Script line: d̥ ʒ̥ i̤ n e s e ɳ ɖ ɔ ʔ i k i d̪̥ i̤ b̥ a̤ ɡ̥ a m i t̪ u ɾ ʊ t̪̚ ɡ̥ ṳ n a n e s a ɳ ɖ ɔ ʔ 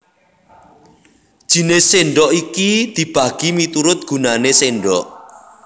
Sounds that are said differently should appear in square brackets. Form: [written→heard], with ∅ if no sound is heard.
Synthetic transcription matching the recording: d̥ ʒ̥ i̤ n e s e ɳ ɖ ɔ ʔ i k i d̪̥ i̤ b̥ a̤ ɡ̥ [a→i] m i t̪ u ɾ ʊ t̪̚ ɡ̥ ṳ n a n e s [a→e] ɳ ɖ ɔ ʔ

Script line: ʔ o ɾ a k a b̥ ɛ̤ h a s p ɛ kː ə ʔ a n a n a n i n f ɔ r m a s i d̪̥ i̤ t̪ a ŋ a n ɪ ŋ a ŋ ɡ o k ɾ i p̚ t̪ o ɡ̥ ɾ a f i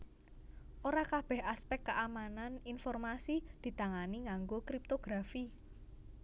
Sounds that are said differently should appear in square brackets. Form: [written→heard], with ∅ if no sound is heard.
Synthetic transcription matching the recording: ʔ o ɾ a k a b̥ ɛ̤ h a s p ɛ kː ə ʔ a [n→m] a n a n i n f ɔ r m a s i d̪̥ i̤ t̪ a ŋ a n [ɪ→i] ŋ a ŋ ɡ o k ɾ i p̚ t̪ o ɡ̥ ɾ a f i

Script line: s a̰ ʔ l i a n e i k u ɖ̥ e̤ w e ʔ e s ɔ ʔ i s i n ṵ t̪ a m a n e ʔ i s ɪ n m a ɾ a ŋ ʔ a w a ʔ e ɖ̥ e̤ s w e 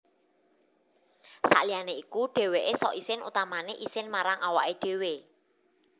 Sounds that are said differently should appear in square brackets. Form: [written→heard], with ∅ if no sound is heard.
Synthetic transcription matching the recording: s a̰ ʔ l i a n e i k u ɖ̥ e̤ w e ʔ e s ɔ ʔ i s [i→ɪ] n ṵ t̪ a m a n e ʔ i s ɪ n m a ɾ a ŋ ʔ a w a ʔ e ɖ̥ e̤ [s→∅] w e

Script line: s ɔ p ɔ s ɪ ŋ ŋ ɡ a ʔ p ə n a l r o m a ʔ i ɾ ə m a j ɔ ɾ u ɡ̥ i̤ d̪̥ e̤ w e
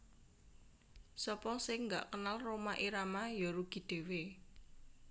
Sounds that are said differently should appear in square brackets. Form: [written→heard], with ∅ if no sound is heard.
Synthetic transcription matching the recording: s ɔ p ɔ s ɪ ŋ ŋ ɡ a ʔ [p→k] ə n a l r o m a ʔ i ɾ [ə→a] m a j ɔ ɾ u ɡ̥ i̤ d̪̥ e̤ w e

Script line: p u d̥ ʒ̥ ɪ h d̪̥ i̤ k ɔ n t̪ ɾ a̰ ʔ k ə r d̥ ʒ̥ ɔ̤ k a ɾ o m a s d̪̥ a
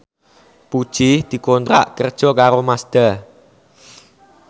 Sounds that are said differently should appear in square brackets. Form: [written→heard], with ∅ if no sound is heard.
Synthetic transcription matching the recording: p u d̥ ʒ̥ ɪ h d̪̥ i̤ k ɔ n t̪ ɾ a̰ ʔ k ə r d̥ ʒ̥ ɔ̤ k a ɾ o m a s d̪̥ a

